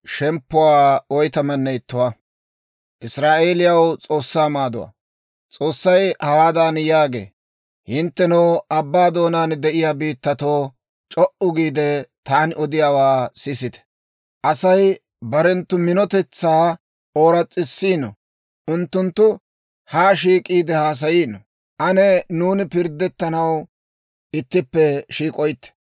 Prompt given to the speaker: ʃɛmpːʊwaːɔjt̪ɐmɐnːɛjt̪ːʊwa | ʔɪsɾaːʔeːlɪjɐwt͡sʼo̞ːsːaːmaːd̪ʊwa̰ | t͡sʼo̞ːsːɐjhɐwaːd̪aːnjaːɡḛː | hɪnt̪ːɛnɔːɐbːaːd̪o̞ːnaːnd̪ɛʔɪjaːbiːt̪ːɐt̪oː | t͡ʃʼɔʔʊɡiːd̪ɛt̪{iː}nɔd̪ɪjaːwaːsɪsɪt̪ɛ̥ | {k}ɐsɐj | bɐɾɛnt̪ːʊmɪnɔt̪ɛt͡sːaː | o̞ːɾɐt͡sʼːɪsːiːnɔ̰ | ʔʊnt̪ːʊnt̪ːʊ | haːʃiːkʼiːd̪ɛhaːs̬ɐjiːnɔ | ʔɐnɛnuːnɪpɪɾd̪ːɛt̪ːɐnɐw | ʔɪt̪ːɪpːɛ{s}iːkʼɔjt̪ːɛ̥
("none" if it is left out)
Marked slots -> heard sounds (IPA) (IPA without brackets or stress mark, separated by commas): aː, ʔ, ʃ